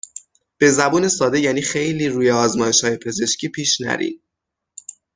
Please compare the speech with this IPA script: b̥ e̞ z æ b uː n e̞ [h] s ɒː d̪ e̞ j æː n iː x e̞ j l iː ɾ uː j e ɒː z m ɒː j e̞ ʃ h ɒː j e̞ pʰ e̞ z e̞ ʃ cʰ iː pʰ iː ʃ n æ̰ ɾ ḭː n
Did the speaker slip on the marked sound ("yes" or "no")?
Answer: yes